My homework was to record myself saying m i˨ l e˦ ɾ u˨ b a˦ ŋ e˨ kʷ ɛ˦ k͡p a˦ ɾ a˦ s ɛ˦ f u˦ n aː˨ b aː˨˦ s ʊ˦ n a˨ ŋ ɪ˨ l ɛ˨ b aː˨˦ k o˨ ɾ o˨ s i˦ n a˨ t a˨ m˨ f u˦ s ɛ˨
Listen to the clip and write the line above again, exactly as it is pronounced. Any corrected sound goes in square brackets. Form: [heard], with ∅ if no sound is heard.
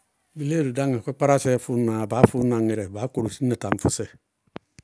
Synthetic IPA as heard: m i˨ l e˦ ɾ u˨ [d] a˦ ŋ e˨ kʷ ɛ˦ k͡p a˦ ɾ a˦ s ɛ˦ f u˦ n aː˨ b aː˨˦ [f] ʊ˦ n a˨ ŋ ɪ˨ [ɾ] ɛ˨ b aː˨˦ k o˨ ɾ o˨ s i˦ n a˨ t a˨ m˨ f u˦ s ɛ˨

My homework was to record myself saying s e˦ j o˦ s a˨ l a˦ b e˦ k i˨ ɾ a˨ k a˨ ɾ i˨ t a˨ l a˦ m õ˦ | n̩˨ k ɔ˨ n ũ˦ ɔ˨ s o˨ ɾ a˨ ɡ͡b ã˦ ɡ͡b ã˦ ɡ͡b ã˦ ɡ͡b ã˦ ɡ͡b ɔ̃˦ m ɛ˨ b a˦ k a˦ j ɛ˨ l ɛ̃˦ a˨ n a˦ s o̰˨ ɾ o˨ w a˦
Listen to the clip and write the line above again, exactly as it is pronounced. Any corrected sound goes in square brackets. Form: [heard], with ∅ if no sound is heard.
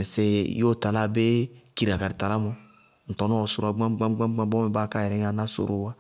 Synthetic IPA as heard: s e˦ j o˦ [t] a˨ l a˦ b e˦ k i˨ ɾ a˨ k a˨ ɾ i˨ t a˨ l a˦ m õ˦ | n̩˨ [t] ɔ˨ n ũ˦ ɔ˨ s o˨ ɾ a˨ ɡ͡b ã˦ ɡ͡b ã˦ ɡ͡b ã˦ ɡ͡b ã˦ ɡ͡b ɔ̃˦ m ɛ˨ b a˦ k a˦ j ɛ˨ [ɾ] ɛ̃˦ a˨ n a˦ s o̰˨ ɾ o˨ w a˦

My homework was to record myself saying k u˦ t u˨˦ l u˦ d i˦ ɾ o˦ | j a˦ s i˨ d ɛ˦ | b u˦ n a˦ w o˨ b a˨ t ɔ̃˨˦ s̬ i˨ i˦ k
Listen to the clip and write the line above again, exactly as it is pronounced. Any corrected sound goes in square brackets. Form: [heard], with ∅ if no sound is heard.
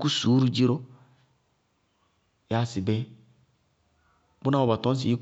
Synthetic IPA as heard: k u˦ [s] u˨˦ [ɾ] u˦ [d͡ʒ] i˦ ɾ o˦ | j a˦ s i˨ [b] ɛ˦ | b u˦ n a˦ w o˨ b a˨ t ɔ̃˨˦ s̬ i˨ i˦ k

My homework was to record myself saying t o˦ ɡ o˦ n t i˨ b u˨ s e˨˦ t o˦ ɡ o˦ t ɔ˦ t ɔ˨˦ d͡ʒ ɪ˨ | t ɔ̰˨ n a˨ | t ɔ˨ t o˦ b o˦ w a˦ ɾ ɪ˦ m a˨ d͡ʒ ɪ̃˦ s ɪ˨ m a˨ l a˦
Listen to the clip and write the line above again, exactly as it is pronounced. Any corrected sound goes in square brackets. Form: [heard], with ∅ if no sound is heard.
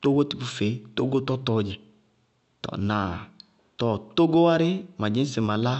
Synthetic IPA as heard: t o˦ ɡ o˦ [∅] t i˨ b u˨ [f] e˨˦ t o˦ ɡ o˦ t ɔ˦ t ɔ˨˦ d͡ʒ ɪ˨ | t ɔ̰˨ n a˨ | t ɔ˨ t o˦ [ɡ] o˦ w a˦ ɾ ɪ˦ m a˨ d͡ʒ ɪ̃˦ s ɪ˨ m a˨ l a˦

